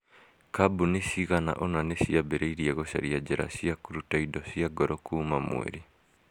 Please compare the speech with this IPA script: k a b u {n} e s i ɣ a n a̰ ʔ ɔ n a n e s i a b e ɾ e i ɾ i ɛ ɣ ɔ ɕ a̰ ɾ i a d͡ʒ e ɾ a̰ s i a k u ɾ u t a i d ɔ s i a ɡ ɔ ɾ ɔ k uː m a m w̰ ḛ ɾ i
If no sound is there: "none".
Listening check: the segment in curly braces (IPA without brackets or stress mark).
n